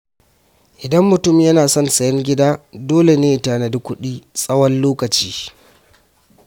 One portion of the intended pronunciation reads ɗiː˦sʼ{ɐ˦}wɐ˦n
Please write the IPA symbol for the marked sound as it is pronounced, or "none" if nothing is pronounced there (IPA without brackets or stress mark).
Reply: ɐ˦